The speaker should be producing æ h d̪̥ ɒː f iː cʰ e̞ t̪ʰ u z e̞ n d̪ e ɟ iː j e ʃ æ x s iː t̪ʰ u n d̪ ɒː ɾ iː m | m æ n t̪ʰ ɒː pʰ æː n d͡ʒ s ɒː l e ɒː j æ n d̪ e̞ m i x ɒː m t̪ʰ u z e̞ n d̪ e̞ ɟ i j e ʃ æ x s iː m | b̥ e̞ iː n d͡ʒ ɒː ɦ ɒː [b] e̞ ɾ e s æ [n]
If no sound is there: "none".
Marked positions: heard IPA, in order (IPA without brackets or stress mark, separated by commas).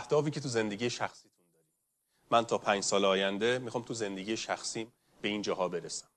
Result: b, m